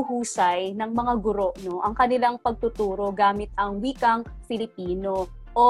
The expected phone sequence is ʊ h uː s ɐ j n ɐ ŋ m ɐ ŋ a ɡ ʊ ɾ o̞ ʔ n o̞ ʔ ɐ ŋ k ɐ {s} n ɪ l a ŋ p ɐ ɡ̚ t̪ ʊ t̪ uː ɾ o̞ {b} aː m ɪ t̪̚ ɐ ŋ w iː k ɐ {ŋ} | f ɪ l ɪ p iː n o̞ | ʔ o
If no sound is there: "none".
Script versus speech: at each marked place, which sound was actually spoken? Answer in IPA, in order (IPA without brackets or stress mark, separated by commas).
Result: none, ɡ, ŋ